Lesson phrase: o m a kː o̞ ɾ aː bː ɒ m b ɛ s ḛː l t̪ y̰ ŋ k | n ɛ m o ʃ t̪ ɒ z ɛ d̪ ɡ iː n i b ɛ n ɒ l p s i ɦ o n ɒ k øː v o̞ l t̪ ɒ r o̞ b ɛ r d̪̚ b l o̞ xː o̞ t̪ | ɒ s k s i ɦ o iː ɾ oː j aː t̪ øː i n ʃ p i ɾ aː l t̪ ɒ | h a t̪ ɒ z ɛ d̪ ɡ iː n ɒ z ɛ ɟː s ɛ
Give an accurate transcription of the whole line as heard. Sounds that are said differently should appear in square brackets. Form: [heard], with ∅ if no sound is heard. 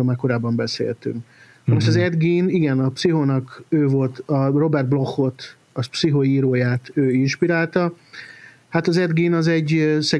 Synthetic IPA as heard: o m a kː o̞ ɾ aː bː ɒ m b ɛ s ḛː l t̪ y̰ ŋ k | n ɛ m o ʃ t̪ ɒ z ɛ d̪ ɡ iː n i [ɡ] ɛ n ɒ [∅] p s i ɦ o n ɒ k øː v o̞ l t̪ ɒ r o̞ b ɛ r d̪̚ b l o̞ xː o̞ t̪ | ɒ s [p] s i ɦ o iː ɾ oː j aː t̪ øː i n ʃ p i ɾ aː l t̪ ɒ | h a t̪ ɒ z ɛ d̪ ɡ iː n ɒ z ɛ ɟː s ɛ